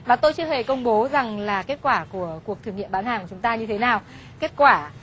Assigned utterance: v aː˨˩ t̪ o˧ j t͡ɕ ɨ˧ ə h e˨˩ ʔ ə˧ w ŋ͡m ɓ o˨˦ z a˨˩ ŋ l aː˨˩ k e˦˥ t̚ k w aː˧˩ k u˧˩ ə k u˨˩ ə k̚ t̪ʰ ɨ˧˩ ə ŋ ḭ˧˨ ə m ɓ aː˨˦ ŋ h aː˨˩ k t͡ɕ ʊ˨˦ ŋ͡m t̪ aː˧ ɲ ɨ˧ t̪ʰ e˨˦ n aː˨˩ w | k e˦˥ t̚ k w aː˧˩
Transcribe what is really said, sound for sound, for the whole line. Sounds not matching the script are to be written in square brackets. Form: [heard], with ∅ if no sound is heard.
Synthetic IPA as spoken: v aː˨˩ t̪ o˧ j t͡ɕ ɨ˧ ə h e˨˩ [k] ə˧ w ŋ͡m ɓ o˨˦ z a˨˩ ŋ l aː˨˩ k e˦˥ t̚ k w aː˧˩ k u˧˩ ə k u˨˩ ə k̚ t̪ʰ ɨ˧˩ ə ŋ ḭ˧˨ ə m ɓ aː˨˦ [n] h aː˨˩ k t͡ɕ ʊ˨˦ ŋ͡m t̪ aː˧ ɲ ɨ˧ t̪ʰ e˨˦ n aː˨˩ w | k e˦˥ t̚ k w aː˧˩